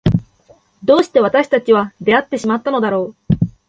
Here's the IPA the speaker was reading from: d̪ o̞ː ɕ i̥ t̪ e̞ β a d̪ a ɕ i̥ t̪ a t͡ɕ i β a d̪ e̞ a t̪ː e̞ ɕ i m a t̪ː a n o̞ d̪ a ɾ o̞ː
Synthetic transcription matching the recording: d̪ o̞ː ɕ i̥ t̪ e̞ β a t̪ a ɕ i̥ t̪ a t͡ɕ i β a d̪ e̞ a t̪ː e̞ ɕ i m a t̪ː a n o̞ d̪ a ɾ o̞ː